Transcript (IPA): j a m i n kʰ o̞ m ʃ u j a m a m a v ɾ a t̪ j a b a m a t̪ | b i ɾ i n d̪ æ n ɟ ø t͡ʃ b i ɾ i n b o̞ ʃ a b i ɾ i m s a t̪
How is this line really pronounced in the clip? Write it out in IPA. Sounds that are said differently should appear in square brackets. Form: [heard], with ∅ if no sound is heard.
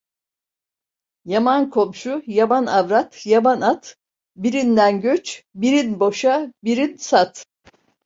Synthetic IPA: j a m [a] n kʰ o̞ m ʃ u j a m a [n] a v ɾ a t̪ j a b a [n] a t̪ | b i ɾ i n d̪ æ n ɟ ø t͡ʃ b i ɾ i n b o̞ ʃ a b i ɾ i [n] s a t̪